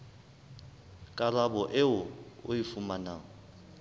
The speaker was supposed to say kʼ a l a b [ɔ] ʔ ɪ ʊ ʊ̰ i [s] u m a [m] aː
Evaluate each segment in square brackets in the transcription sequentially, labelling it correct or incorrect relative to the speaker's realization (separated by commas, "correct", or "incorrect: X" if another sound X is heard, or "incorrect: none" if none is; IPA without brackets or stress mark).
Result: correct, incorrect: f, incorrect: n